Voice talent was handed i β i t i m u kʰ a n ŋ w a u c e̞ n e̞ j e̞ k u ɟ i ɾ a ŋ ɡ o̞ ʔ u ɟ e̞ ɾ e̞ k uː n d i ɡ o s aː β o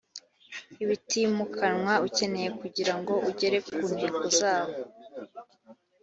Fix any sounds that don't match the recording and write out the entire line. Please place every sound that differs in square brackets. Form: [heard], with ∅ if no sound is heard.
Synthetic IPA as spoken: i β i t i m u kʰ a n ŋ w a u c e̞ n e̞ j e̞ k u ɟ i ɾ a ŋ ɡ o̞ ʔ u ɟ e̞ ɾ e̞ k uː n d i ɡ o [z] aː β o

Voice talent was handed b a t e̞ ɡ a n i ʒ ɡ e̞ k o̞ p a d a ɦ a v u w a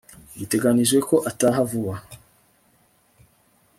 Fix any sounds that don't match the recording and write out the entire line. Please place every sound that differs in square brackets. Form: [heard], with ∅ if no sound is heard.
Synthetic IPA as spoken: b [i] t e̞ ɡ a n i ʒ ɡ e̞ k o̞ [ʔ] a [t] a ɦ a v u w a

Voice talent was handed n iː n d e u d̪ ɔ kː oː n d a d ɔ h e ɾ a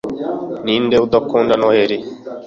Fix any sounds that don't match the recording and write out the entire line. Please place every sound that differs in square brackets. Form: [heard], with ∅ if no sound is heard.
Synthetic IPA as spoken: n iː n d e u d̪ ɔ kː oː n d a [n] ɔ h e ɾ [i]

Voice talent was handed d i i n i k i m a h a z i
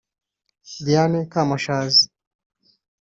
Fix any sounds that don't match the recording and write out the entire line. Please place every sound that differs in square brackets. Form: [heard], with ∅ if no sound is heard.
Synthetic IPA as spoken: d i [a] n [ɛ] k [a] m a [ʃ] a z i

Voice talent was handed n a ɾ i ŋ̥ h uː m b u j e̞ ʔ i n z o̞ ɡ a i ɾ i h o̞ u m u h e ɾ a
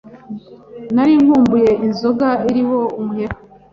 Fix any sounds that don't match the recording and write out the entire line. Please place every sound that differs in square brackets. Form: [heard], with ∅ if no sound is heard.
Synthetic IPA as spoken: n a ɾ i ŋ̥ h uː m b u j e̞ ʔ i n z o̞ ɡ a i ɾ i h o̞ u m u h e ɾ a

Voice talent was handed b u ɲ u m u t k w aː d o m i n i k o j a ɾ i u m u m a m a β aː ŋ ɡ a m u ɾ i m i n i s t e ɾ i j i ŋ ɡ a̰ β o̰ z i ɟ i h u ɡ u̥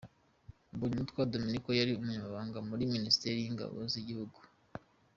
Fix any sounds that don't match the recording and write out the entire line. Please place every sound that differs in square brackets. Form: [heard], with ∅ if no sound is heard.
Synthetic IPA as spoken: b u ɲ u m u t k w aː d o m i n i k o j a ɾ i u m u [ɲ] a m a β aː ŋ ɡ a m u ɾ i m i n i s t e ɾ i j i ŋ ɡ a̰ β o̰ z i ɟ i h u ɡ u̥

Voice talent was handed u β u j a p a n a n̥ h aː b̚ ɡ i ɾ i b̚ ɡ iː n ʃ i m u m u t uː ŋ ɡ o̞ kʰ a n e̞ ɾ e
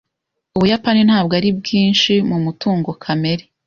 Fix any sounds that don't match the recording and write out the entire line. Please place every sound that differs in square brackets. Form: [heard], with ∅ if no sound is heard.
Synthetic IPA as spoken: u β u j a p a n [i] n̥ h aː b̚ ɡ [a] ɾ i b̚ ɡ iː n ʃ i m u m u t uː ŋ ɡ o̞ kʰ a [m] e̞ ɾ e

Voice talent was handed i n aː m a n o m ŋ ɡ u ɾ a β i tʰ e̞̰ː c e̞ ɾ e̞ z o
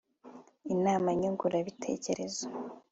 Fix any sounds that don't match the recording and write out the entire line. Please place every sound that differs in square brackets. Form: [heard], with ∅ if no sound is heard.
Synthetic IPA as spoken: i n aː m a [ɲ] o [∅] ŋ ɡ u ɾ a β i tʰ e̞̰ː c e̞ ɾ e̞ z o

